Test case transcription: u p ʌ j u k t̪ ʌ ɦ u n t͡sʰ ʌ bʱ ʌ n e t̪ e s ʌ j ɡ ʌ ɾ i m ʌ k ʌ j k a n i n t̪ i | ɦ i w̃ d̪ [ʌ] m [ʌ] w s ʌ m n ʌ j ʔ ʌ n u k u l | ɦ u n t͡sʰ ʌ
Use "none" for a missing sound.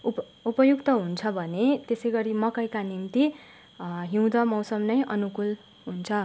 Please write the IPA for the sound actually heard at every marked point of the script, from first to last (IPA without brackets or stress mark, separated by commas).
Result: ʌ, ʌ